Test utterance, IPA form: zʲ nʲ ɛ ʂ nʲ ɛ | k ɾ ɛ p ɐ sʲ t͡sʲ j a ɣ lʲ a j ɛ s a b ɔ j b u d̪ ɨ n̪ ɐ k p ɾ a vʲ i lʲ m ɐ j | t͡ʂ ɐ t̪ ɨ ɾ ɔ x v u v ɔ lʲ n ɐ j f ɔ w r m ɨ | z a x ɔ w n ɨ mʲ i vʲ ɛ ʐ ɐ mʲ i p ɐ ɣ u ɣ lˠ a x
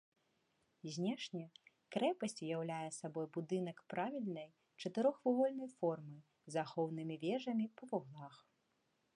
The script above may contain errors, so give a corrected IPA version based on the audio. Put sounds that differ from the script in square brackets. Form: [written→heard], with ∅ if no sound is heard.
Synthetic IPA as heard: zʲ nʲ ɛ ʂ nʲ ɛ | k ɾ ɛ p ɐ sʲ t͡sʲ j a [ɣ→w] lʲ a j ɛ s a b ɔ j b u d̪ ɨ n̪ ɐ k p ɾ a vʲ i lʲ [m→n] ɐ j | t͡ʂ ɐ t̪ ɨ ɾ ɔ x v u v ɔ lʲ n ɐ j f ɔ [w→∅] r m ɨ | z a x ɔ w n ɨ mʲ i vʲ ɛ ʐ ɐ mʲ i p ɐ [ɣ→v] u ɣ lˠ a x